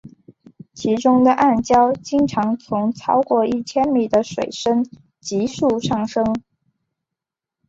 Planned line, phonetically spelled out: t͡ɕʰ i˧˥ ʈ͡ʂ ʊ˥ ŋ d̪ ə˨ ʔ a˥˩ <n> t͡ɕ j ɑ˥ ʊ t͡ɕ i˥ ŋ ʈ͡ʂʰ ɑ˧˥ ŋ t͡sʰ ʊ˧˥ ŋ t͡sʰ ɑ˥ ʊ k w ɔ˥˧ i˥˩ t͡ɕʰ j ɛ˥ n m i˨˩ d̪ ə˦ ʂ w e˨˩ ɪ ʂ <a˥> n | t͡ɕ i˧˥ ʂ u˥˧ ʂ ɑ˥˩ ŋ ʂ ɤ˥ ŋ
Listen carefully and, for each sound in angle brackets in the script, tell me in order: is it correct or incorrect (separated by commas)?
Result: correct, incorrect